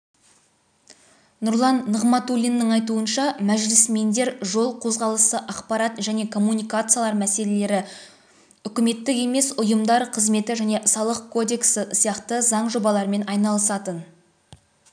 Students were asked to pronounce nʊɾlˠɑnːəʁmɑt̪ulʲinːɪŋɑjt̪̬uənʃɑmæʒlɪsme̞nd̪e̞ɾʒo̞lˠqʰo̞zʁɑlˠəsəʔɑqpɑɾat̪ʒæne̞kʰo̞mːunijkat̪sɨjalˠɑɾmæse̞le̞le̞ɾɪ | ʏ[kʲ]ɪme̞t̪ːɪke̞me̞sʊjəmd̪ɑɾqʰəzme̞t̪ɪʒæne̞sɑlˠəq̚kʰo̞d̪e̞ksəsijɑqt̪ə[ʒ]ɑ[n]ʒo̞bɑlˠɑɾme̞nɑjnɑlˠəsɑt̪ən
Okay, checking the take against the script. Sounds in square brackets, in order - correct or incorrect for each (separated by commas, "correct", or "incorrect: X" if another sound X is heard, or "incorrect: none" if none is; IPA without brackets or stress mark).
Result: correct, incorrect: z, incorrect: ɴ